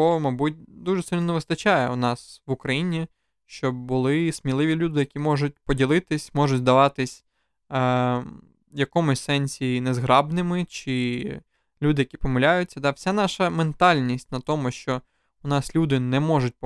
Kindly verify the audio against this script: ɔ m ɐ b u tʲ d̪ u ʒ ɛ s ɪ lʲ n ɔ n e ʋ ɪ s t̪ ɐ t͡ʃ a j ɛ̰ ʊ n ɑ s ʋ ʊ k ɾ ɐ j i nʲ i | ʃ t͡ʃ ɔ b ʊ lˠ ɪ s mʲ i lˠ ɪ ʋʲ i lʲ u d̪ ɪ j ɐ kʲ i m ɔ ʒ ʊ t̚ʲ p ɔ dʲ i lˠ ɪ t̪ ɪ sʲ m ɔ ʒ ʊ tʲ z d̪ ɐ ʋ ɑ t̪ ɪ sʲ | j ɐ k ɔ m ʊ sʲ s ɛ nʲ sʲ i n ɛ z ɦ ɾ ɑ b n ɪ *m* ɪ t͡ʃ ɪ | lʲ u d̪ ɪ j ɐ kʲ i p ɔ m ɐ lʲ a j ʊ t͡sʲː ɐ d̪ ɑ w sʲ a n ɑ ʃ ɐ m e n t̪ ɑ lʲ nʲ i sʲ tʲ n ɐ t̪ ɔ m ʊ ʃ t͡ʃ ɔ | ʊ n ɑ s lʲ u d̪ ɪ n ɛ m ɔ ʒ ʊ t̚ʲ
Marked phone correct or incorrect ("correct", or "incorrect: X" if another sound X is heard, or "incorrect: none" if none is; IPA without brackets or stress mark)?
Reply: correct